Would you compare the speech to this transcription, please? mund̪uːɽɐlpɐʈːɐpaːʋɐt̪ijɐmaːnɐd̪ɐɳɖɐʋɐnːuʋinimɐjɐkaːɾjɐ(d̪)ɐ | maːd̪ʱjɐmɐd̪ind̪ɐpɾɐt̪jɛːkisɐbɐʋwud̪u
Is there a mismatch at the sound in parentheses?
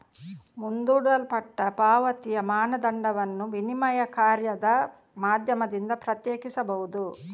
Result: no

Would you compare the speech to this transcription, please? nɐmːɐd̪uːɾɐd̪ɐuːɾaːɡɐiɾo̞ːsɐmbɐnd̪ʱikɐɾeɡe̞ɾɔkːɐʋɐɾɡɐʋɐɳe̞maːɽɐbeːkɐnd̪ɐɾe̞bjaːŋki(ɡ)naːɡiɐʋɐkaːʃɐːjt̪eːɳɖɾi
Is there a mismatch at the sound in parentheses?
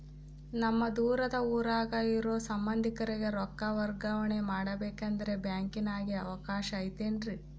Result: yes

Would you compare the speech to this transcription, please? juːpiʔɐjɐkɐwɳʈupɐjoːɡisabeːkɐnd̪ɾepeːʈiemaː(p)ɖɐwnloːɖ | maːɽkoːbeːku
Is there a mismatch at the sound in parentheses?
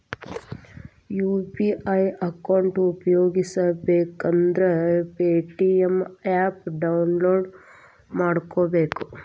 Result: no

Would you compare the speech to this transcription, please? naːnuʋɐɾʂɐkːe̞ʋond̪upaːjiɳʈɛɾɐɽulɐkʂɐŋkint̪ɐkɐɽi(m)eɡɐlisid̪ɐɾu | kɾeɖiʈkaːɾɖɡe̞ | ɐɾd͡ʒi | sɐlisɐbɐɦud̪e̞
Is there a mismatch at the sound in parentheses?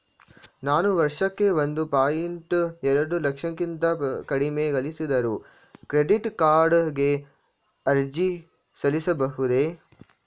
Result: no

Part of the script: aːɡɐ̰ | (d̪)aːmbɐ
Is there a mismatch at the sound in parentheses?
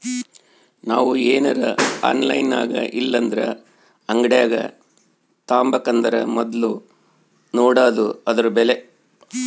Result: yes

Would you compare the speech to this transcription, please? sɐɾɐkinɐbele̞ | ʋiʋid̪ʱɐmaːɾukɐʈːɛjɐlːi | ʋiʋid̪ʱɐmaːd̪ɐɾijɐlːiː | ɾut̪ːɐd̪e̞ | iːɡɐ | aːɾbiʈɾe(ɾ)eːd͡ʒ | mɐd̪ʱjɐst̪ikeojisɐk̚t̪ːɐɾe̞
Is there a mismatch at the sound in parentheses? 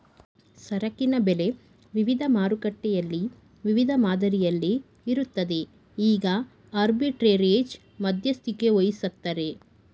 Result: no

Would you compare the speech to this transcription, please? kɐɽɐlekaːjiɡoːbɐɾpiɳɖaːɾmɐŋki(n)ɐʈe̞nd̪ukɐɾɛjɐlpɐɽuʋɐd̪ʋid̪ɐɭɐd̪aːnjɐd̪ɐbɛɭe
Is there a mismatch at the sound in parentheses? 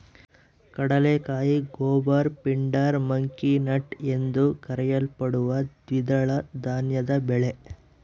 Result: no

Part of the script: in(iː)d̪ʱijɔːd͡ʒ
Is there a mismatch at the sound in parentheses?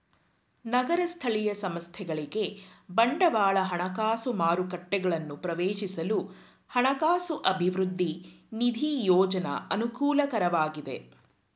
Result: yes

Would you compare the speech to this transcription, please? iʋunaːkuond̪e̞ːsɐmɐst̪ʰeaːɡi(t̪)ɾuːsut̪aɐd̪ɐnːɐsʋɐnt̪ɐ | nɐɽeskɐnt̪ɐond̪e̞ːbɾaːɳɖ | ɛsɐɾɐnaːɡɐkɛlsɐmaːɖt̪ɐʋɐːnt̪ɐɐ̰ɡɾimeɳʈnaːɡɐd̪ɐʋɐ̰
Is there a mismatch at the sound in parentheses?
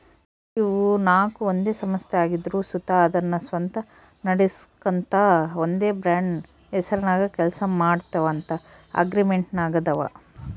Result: yes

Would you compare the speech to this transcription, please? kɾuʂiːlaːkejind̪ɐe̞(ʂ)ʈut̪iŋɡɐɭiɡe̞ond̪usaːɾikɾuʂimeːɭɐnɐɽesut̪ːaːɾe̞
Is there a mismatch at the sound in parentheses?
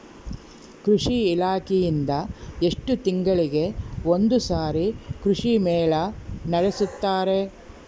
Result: no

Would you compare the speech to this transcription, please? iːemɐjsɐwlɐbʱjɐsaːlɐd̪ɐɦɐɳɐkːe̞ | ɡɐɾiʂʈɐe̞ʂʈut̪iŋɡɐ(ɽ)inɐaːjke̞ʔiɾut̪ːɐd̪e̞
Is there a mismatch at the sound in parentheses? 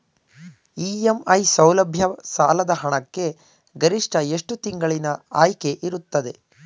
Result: yes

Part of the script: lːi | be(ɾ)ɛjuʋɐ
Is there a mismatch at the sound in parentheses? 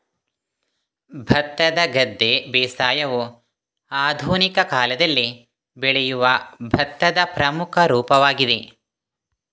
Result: yes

